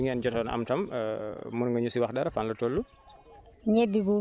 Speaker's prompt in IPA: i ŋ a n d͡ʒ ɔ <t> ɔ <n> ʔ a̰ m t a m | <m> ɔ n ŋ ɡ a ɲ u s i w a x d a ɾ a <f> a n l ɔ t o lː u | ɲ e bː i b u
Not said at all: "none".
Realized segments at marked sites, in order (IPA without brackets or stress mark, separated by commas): t, n, m, f